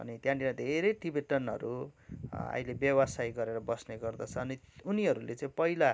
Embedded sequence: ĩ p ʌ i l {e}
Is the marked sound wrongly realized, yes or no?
yes